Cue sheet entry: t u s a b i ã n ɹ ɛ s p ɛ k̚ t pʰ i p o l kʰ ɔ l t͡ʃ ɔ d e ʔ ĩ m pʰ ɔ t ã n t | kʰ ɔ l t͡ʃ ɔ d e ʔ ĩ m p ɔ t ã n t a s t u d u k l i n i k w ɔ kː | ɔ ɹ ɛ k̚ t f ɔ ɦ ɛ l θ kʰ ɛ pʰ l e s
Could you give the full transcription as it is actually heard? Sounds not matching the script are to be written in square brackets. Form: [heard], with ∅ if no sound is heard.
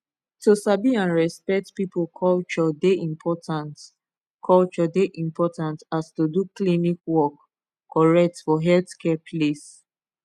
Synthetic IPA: t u s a b i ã n ɹ ɛ s p ɛ k̚ t [p] i p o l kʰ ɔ l t͡ʃ ɔ d e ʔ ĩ m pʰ ɔ t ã n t | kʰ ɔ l t͡ʃ ɔ d e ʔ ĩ m p ɔ t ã n t a s t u d u k l i n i k w ɔ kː | ɔ ɹ ɛ k̚ t f ɔ ɦ ɛ l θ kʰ ɛ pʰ l e s